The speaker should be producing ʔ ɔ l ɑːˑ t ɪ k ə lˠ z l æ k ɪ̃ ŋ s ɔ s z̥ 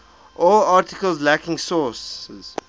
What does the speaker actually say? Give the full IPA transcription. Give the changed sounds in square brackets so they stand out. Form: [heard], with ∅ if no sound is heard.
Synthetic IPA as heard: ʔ ɔ l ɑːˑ t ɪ k ə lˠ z l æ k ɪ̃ ŋ s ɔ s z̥